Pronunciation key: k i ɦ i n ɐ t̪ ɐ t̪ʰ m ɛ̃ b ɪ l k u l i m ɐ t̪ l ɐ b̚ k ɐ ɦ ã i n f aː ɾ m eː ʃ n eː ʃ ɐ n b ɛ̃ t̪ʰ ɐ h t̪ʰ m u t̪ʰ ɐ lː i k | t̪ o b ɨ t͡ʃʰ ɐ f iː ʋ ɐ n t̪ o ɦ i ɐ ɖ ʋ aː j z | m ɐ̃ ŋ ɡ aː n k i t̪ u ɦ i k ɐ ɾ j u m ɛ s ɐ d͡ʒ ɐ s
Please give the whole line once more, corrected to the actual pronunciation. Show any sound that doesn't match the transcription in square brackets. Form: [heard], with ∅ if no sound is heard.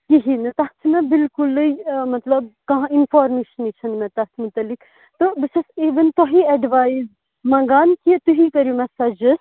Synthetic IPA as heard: k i ɦ i n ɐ t̪ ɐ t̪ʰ m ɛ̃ b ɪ l k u l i m ɐ t̪ l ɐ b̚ k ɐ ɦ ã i n f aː ɾ m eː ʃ n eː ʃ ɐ n [m] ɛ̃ [t̪] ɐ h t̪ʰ m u [t̪] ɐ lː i k | t̪ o b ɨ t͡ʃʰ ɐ [s] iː ʋ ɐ n t̪ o ɦ i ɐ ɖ ʋ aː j z | m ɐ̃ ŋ ɡ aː n k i t̪ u ɦ i k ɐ ɾ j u m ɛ s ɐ d͡ʒ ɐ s